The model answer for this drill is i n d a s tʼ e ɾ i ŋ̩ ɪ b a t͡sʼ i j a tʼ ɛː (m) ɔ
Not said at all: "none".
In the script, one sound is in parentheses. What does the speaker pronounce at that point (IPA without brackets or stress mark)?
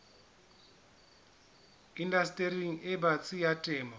m